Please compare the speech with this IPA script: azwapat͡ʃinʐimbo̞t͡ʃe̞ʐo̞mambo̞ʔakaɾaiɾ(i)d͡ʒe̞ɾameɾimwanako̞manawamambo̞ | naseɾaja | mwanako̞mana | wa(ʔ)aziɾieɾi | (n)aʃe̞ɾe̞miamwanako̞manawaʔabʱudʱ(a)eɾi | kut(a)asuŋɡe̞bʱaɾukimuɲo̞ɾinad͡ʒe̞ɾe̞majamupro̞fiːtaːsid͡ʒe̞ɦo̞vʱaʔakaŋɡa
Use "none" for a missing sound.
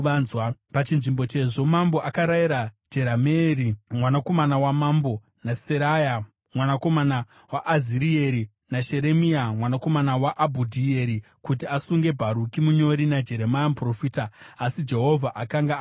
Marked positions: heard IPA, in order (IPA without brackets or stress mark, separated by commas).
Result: a, ʔ, n, i, i